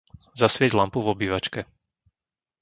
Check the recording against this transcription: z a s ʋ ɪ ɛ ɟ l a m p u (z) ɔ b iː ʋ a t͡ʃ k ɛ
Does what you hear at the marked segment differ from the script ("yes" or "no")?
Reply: yes